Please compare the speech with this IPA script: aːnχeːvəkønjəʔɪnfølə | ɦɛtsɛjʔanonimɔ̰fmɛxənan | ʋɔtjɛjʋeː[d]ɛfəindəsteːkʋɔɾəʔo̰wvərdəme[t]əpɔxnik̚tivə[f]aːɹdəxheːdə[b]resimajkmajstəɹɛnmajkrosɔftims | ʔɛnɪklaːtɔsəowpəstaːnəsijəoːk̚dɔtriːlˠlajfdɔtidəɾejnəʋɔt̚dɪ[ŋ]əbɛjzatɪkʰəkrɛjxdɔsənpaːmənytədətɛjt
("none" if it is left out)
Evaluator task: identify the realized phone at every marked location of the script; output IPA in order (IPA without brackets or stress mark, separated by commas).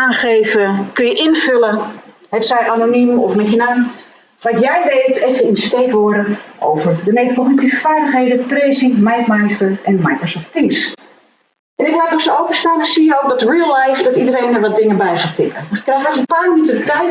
t, t, f, p, ŋ